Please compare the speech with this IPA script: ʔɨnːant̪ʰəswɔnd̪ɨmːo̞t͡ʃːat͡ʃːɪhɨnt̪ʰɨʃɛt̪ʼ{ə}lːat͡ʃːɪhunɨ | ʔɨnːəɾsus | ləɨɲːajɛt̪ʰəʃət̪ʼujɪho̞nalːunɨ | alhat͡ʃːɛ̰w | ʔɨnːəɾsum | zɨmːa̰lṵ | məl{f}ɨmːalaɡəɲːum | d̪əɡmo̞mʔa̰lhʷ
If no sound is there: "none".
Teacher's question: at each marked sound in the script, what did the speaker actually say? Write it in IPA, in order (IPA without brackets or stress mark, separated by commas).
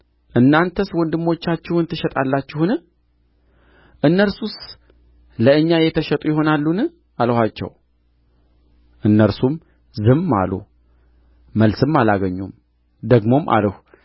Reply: a, s